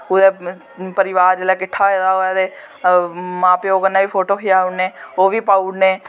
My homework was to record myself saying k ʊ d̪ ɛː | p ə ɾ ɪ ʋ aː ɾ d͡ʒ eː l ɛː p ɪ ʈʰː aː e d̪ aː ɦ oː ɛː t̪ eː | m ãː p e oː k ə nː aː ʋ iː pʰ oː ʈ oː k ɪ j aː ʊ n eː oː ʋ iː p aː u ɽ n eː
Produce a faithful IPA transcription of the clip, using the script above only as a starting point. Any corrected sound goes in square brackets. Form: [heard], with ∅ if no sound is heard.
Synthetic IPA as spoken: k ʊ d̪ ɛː | p ə ɾ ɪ ʋ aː ɾ d͡ʒ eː l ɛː [k] ɪ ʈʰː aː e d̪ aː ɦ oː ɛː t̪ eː | m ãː p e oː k ə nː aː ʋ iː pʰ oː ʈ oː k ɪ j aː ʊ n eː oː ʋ iː p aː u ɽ n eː

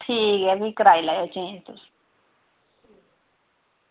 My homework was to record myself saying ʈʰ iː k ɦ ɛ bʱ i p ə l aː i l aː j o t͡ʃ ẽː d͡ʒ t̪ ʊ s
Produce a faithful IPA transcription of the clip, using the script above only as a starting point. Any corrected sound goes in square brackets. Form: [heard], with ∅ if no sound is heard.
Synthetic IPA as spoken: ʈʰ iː k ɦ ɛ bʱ i [k] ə [ɾ] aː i l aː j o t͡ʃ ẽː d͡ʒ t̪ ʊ s

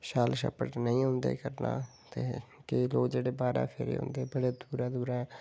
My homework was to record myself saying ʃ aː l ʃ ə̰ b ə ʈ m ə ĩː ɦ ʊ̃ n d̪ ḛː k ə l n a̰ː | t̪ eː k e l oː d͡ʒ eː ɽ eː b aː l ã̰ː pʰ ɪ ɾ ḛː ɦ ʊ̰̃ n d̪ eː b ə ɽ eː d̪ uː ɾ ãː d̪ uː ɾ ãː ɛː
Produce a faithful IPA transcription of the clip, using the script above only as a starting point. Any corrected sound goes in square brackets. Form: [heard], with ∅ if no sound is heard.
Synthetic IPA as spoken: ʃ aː l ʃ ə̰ [p] ə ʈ [n] ə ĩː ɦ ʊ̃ n d̪ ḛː k ə [ɾ] n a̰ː | t̪ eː k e l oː d͡ʒ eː ɽ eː b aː [ɾ] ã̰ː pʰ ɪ ɾ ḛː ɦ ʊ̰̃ n d̪ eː b ə ɽ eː d̪ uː ɾ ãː d̪ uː ɾ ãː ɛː

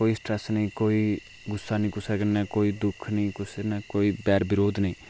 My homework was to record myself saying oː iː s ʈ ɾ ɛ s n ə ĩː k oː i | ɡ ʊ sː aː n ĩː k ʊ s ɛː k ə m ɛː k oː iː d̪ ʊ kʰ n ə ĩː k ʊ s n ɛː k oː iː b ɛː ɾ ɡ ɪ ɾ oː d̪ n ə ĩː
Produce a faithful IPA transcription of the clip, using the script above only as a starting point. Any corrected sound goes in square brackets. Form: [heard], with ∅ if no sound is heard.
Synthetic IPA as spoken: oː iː s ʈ ɾ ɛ s n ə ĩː k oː i | ɡ ʊ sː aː n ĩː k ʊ s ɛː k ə [n] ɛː k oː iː d̪ ʊ kʰ n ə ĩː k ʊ s n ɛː k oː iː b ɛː ɾ [b] ɪ ɾ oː d̪ n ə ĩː

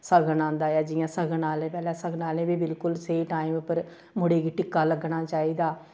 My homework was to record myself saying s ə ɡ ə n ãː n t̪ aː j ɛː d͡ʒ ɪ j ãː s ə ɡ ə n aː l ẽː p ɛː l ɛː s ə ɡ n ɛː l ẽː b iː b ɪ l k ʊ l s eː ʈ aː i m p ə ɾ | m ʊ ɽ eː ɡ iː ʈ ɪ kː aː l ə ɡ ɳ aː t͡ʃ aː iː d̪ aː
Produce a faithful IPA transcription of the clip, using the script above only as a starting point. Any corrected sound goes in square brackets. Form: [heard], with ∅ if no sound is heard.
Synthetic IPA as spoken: s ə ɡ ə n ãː n [d̪] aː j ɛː d͡ʒ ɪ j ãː s ə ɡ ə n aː l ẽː p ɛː l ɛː s ə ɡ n [aː] l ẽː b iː b ɪ l k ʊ l s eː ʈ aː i m p ə ɾ | m ʊ ɽ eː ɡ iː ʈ ɪ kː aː l ə ɡ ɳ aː t͡ʃ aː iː d̪ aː

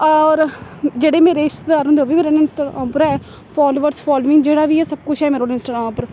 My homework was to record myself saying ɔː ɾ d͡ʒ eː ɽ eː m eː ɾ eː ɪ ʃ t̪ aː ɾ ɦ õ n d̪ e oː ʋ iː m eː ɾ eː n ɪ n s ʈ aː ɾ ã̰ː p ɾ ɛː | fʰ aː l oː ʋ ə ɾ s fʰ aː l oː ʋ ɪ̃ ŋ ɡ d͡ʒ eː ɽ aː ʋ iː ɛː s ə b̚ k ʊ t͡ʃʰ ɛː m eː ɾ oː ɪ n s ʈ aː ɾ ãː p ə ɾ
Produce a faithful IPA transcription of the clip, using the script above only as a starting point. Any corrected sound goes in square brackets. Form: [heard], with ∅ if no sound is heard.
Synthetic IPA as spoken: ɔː ɾ d͡ʒ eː ɽ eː m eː ɾ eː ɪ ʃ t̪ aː ɾ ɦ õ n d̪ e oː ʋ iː m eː ɾ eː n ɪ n s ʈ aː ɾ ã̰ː p ɾ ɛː | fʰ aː l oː ʋ ə ɾ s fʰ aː l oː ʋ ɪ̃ ŋ ɡ d͡ʒ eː ɽ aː ʋ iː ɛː s ə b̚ k ʊ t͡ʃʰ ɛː m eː ɾ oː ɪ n s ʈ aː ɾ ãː p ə ɾ

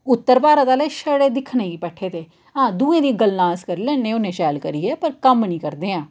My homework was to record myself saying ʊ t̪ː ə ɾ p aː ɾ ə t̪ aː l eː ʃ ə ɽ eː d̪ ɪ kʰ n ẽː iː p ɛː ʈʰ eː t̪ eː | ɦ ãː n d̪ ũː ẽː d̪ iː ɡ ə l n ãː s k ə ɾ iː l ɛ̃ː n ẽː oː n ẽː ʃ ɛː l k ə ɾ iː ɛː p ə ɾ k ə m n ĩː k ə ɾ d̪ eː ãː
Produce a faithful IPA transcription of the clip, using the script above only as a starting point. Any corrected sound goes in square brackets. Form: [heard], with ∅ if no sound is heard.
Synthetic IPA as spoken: ʊ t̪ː ə ɾ p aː ɾ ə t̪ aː l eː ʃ ə ɽ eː d̪ ɪ kʰ n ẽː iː p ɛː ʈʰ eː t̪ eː | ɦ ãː [∅] d̪ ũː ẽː d̪ iː ɡ ə l n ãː s k ə ɾ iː l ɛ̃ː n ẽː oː n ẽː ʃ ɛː l k ə ɾ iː ɛː p ə ɾ k ə m n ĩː k ə ɾ d̪ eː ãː

